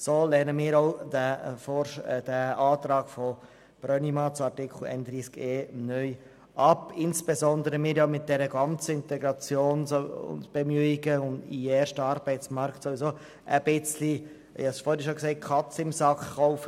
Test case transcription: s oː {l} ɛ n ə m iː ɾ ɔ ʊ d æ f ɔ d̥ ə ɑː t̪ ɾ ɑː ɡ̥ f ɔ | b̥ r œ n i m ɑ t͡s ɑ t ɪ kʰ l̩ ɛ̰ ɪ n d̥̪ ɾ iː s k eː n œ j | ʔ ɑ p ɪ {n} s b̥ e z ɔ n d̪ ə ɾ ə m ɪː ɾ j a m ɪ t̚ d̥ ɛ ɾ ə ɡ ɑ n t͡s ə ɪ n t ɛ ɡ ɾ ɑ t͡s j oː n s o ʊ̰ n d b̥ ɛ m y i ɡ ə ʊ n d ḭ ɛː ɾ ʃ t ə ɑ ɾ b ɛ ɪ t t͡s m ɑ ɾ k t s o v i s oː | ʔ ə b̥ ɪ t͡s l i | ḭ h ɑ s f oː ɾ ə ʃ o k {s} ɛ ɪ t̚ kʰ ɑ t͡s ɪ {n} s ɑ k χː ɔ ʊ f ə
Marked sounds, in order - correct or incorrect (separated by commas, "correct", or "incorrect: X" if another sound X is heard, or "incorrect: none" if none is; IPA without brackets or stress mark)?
correct, correct, correct, incorrect: m